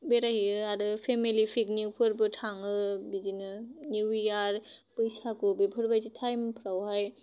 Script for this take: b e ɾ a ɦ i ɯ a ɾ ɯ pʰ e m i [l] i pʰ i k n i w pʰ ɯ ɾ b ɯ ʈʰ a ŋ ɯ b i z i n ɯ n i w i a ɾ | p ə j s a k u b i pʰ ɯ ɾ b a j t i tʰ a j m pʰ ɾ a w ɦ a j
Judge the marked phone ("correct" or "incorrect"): correct